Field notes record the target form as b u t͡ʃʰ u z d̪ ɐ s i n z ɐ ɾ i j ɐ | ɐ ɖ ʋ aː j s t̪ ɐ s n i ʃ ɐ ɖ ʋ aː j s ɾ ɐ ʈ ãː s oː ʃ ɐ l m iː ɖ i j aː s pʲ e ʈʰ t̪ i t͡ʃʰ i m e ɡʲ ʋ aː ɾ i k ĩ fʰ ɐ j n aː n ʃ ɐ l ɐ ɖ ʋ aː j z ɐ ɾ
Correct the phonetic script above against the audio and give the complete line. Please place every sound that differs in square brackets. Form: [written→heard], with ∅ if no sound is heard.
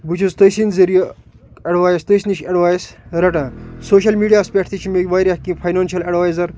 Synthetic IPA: b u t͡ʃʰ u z [d̪→t̪] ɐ s i n z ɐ ɾ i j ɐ | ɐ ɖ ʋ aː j s t̪ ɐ s n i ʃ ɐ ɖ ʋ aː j s ɾ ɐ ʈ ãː s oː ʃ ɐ l m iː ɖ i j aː s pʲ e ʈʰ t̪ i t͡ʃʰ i m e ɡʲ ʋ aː ɾ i k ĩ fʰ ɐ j n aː n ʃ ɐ l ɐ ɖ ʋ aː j z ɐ ɾ